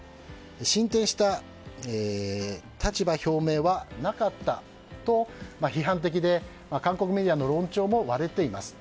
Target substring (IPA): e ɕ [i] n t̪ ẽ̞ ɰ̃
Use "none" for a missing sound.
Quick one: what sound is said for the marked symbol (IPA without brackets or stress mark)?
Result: ĩ